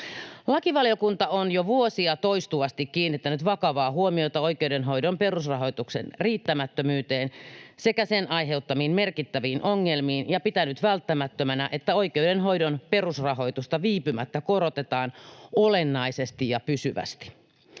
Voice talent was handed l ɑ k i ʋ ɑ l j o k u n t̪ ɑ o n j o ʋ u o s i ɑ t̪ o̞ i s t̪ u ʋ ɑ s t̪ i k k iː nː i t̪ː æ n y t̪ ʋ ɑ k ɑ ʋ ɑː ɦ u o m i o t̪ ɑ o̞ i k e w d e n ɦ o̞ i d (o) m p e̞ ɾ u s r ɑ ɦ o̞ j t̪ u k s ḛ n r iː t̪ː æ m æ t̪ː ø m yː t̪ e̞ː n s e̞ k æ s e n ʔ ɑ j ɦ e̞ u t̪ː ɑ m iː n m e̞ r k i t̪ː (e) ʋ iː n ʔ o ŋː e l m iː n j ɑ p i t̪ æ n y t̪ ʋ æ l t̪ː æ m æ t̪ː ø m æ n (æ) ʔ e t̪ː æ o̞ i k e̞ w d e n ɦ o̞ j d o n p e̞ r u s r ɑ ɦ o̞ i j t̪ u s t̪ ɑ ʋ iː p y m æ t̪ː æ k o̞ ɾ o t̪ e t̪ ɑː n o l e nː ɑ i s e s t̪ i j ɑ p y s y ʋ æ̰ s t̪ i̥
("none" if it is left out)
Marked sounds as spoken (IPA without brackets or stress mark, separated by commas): o, æ, æ